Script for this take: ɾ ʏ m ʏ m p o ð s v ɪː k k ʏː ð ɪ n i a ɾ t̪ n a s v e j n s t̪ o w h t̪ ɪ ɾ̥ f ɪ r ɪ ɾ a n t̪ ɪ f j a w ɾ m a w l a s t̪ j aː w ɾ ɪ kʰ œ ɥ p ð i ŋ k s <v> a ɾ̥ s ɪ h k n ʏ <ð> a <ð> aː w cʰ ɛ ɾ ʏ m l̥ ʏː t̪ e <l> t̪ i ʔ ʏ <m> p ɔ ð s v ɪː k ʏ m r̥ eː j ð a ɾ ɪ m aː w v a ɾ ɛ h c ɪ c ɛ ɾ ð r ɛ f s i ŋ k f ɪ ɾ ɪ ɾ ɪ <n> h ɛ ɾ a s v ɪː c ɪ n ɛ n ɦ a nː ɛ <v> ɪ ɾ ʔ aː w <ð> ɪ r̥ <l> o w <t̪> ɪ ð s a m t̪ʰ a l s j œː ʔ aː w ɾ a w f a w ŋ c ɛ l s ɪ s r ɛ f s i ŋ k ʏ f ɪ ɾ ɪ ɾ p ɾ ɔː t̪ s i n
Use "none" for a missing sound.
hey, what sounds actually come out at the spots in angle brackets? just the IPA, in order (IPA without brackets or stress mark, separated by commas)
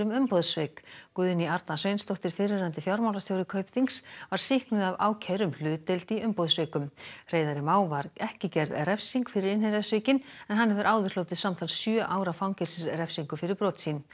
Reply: v, ð, v, l, m, n, v, ð, l, t̪